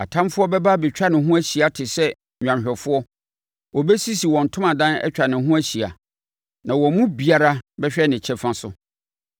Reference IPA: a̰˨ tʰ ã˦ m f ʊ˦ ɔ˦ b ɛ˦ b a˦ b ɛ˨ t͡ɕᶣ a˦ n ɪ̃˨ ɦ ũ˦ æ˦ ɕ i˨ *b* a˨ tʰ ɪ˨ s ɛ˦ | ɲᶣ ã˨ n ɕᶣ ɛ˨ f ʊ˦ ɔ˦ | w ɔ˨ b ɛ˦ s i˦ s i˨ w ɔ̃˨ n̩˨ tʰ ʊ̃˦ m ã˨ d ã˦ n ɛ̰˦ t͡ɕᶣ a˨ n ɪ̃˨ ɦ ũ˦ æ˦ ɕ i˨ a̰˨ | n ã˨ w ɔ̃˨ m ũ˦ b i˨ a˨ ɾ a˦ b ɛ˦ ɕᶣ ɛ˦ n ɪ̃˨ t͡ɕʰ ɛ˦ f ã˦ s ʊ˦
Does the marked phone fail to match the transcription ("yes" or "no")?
yes